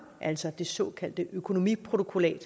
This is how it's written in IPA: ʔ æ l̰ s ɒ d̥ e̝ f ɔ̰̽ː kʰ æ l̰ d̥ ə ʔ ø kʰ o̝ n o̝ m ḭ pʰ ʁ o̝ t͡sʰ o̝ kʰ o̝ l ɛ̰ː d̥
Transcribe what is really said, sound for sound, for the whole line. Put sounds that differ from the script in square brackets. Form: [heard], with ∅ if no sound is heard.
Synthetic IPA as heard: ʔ æ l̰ s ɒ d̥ e̝ [s] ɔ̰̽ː kʰ æ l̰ d̥ ə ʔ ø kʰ o̝ n o̝ m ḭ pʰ ʁ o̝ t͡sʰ o̝ kʰ o̝ l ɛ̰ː d̥